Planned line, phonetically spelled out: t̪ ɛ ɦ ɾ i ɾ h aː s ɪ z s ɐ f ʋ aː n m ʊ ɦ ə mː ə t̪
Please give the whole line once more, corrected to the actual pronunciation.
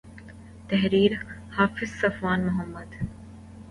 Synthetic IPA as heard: t̪ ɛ ɦ ɾ iː ɾ h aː f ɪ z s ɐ f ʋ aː n m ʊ ɦ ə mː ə d̪